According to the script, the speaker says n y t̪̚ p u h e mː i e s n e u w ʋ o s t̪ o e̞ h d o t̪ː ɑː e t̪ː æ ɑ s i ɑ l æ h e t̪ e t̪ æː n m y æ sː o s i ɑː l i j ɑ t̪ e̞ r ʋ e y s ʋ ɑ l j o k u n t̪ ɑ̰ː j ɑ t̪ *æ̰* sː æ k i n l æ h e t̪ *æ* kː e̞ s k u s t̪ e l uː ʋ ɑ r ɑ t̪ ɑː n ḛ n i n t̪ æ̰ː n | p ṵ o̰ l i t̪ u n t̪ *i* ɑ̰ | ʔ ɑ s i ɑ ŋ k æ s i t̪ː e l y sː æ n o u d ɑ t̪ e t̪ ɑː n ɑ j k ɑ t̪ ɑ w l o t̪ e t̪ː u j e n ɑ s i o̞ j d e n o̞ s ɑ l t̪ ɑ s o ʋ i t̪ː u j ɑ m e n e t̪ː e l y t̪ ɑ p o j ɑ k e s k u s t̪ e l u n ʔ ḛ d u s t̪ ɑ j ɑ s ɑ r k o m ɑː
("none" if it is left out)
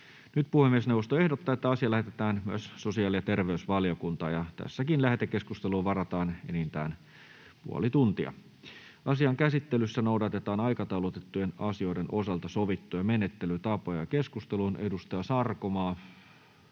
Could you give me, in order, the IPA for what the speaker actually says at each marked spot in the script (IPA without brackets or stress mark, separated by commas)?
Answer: æ̰, e, i